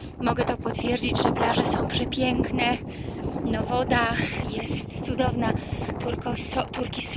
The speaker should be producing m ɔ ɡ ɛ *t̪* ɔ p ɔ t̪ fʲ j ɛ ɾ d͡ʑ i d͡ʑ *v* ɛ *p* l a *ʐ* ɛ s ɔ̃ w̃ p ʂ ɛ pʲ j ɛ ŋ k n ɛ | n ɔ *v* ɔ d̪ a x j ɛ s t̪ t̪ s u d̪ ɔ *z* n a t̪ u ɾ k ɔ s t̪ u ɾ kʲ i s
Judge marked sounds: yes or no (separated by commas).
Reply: yes, no, yes, yes, yes, no